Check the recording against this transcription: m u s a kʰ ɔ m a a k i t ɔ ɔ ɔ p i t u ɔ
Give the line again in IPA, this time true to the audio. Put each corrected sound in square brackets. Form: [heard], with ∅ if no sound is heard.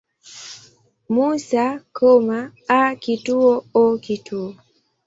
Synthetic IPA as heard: m u s a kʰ ɔ m a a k i t [u] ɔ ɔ [k] i t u ɔ